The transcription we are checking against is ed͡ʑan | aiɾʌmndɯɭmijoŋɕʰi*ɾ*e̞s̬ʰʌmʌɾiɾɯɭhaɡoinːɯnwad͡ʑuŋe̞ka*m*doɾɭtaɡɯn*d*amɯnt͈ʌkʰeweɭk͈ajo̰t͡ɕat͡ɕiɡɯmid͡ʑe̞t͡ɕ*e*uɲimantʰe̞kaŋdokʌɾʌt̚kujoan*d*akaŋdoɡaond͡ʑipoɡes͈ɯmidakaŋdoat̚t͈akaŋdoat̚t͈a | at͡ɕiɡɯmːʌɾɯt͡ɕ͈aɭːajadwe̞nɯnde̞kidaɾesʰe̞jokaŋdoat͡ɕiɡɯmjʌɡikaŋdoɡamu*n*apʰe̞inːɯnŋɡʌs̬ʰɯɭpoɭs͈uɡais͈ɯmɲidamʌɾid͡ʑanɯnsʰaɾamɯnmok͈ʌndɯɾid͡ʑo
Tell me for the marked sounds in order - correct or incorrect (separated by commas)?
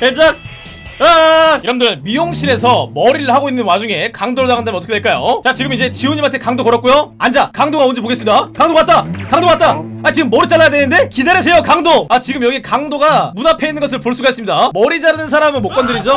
correct, incorrect, correct, incorrect, incorrect, correct